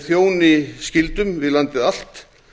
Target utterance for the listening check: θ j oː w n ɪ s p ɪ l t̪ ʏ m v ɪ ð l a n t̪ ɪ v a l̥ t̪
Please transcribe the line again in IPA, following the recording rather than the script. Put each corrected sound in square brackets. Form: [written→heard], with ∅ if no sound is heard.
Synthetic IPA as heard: θ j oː w n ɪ s [p→c] ɪ l t̪ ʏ m v ɪ ð l a n t̪ ɪ [v→ð] a l̥ t̪

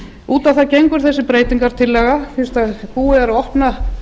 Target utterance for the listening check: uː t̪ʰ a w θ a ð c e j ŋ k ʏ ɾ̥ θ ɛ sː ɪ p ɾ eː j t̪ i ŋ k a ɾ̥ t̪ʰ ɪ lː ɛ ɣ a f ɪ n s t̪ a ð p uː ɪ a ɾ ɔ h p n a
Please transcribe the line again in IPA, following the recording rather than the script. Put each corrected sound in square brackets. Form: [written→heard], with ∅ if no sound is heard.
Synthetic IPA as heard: uː [t̪ʰ→t̪] a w θ a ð c e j ŋ k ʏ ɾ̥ θ ɛ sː ɪ p ɾ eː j t̪ i ŋ k a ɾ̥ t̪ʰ ɪ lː ɛ ɣ a f ɪ n s t̪ a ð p uː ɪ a ɾ ɔ h p n a

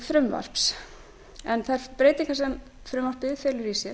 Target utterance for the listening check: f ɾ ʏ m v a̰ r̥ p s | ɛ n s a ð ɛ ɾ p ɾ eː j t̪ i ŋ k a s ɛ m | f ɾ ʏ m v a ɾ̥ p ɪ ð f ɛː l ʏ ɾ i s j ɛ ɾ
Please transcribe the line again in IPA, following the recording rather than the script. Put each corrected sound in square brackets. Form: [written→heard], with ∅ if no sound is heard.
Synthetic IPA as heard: f ɾ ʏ m v a̰ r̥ p s | ɛ n [s→θ] a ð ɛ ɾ p ɾ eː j t̪ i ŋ k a s ɛ m | f ɾ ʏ m v a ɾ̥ p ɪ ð f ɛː l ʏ ɾ i s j ɛ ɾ

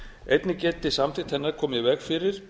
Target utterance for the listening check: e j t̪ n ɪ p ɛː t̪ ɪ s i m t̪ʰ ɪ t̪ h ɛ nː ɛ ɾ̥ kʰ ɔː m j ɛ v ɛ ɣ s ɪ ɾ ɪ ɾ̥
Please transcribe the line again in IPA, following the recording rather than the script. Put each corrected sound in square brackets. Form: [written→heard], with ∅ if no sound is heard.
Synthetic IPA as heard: e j t̪ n ɪ [p→c] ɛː t̪ ɪ s [i→a] m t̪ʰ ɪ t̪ h ɛ nː [ɛ→a] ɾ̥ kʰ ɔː m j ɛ v ɛ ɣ [s→f] ɪ ɾ ɪ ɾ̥

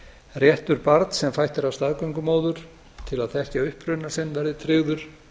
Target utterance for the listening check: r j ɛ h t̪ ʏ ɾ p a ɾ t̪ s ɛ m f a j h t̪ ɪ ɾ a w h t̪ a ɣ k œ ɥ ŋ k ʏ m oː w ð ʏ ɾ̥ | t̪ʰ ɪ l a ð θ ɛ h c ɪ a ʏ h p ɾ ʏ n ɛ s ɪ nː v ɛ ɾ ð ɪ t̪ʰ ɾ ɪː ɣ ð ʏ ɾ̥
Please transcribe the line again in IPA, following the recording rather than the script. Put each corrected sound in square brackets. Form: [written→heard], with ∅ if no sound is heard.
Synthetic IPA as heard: r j ɛ h t̪ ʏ ɾ p a ɾ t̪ s ɛ m f a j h t̪ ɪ ɾ a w [h→s] t̪ a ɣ k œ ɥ ŋ k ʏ m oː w ð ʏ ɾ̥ | t̪ʰ ɪ l a ð θ ɛ h c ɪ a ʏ h p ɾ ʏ n [ɛ→a] s ɪ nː v ɛ ɾ ð ɪ t̪ʰ ɾ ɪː ɣ ð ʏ ɾ̥

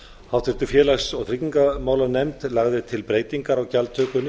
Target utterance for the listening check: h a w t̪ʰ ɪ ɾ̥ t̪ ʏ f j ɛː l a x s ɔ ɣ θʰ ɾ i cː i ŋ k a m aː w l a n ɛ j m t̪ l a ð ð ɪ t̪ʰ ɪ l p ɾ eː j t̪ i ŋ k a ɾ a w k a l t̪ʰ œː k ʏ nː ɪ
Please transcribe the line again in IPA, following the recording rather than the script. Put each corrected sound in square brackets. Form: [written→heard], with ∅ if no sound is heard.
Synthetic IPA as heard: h a w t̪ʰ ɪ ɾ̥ t̪ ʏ f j ɛː l a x s ɔ ɣ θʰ ɾ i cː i ŋ k a m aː w l a n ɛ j m t̪ l a [ð→ɣ] ð ɪ t̪ʰ ɪ l p ɾ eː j t̪ i ŋ k a ɾ a w [k→c] a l t̪ʰ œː k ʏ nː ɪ

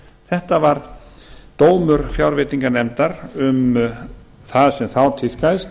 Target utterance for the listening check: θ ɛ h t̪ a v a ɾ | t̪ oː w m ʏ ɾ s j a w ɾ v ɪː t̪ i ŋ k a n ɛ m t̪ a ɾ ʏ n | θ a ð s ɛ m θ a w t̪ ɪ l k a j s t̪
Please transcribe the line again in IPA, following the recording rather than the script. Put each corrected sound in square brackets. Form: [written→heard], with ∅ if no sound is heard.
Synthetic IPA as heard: θ ɛ h t̪ a v a ɾ | t̪ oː w m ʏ ɾ [s→f] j a w ɾ v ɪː t̪ i ŋ k a n ɛ m t̪ a ɾ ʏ [n→m] | θ a ð s ɛ m θ a w [t̪→t̪ʰ] ɪ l k a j s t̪

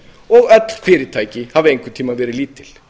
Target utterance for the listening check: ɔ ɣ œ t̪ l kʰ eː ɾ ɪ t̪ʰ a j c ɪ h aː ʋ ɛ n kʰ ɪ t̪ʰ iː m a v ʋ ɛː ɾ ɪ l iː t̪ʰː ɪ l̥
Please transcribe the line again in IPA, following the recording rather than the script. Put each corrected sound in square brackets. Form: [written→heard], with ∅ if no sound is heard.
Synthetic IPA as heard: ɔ ɣ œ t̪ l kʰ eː ɾ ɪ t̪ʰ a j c ɪ h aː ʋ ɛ [n→ŋ] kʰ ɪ t̪ʰ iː m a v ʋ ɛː ɾ ɪ l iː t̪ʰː ɪ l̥

